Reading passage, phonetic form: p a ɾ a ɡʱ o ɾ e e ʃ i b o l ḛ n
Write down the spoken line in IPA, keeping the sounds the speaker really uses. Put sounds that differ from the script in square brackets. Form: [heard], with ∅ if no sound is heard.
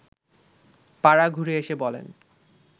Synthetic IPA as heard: p a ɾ a ɡʱ [u] ɾ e e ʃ [e] b [ɔ] l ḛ n